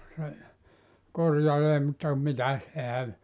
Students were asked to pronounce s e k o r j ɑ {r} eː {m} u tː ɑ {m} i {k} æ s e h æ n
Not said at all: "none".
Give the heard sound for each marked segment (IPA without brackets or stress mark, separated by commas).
l, m, m, t